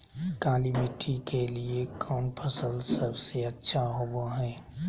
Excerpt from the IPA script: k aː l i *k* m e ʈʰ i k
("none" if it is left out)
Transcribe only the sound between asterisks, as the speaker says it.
none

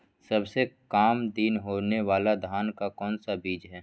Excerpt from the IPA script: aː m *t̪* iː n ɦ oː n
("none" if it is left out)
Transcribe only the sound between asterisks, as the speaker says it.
d̪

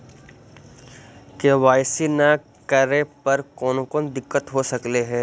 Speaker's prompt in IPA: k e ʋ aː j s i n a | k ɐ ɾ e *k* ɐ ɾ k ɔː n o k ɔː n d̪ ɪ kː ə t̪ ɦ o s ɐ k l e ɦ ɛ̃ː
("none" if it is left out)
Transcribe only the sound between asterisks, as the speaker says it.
p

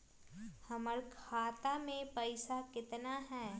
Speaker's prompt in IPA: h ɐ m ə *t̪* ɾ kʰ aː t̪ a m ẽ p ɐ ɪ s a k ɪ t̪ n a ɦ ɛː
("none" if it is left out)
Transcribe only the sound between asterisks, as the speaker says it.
none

